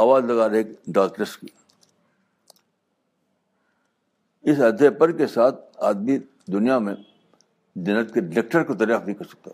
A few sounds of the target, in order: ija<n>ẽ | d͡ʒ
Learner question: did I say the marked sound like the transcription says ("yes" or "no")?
no